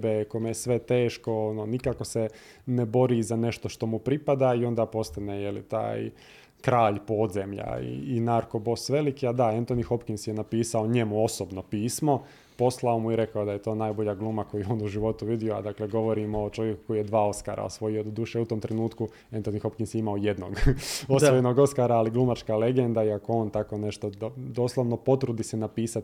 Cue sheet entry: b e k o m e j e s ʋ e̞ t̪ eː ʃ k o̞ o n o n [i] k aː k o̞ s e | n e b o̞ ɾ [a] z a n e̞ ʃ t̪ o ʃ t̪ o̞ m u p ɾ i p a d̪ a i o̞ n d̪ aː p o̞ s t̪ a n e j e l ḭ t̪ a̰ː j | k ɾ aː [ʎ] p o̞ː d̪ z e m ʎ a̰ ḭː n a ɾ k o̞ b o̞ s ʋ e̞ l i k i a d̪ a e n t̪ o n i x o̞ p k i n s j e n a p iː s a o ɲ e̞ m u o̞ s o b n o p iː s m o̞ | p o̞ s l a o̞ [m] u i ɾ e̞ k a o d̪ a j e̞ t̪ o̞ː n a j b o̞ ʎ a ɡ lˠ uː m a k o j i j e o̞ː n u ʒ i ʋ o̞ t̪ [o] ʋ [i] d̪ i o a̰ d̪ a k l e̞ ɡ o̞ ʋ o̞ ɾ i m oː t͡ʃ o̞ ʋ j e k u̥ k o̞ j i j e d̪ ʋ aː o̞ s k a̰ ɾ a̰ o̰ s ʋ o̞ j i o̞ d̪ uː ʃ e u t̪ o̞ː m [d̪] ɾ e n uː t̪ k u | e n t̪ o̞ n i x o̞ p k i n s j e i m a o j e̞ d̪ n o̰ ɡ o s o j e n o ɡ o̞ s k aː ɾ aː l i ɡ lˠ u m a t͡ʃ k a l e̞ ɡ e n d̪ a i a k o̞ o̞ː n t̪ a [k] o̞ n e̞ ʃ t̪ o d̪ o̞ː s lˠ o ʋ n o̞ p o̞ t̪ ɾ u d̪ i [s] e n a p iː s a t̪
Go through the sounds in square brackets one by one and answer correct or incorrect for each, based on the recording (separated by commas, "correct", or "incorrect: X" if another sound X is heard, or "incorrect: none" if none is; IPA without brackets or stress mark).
correct, incorrect: i, correct, correct, incorrect: u, correct, incorrect: t̪, correct, correct